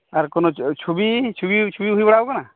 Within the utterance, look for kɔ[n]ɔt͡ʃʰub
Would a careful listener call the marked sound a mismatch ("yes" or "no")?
no